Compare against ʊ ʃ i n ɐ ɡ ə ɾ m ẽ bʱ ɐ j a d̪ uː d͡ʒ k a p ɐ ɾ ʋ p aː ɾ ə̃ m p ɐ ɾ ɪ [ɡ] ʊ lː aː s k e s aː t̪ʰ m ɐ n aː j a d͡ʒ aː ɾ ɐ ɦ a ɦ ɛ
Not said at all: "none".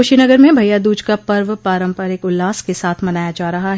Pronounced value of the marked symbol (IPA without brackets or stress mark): k